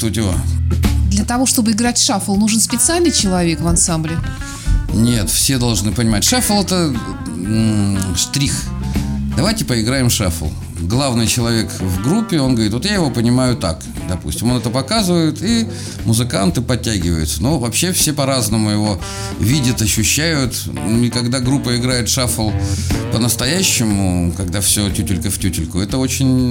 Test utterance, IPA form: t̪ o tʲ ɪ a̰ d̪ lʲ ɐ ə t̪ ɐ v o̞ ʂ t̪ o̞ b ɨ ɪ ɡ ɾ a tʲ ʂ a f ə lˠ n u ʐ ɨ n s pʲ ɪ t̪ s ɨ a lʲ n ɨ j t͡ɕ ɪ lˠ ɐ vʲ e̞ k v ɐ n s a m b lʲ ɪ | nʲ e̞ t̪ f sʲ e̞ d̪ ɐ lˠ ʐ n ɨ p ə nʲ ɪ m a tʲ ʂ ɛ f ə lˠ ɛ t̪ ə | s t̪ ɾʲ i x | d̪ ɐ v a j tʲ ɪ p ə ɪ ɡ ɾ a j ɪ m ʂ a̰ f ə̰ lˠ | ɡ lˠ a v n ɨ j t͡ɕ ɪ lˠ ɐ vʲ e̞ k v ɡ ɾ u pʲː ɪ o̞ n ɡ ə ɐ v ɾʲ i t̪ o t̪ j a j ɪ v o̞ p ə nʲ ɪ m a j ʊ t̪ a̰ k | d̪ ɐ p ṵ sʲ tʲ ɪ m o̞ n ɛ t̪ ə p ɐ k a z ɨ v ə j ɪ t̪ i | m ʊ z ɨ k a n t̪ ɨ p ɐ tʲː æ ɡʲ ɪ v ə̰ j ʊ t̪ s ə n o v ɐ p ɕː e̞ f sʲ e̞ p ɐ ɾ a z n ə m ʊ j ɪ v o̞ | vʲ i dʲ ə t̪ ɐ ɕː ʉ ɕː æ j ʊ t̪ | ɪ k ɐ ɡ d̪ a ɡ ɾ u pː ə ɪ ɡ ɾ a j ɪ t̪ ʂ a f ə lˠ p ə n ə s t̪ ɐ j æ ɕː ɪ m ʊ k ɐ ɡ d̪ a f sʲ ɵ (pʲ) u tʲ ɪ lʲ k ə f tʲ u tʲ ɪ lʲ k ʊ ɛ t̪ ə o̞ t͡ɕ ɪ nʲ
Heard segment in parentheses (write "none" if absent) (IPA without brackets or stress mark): tʲ